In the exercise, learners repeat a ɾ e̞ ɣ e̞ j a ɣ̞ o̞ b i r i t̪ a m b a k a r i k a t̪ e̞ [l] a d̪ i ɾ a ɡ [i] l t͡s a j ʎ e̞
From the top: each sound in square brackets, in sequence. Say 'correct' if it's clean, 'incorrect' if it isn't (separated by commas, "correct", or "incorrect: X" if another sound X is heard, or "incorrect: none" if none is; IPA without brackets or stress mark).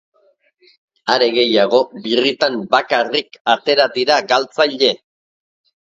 incorrect: ɾ, incorrect: a